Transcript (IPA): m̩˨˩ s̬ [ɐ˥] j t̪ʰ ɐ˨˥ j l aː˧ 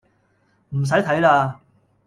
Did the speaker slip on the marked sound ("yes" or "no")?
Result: yes